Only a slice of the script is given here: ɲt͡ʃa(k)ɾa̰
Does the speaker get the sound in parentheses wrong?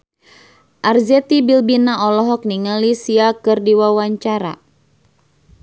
yes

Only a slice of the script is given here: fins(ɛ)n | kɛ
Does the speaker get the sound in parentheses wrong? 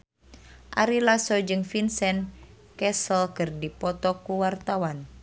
no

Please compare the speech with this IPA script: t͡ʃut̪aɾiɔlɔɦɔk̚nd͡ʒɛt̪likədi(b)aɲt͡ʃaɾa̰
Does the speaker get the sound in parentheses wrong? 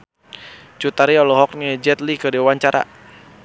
yes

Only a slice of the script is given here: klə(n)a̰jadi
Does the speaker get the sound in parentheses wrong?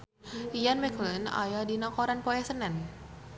no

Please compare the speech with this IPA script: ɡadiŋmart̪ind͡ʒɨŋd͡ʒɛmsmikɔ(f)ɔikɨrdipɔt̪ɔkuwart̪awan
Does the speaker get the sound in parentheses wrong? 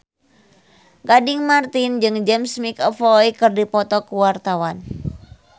no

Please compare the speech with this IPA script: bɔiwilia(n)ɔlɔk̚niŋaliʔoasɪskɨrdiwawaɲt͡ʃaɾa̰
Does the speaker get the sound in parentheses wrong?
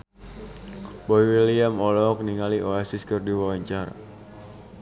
yes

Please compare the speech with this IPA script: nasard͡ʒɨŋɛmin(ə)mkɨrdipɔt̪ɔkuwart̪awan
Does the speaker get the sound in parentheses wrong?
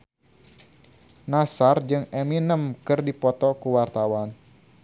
no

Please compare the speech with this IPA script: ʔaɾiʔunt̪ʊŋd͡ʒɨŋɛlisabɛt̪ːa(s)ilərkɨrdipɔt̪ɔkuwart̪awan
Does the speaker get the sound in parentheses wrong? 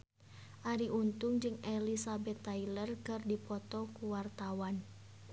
yes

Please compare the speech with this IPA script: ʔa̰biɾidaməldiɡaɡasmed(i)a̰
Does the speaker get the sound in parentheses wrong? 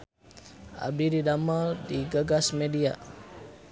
no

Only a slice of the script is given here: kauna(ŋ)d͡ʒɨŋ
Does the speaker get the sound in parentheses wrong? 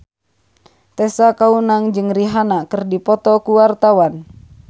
no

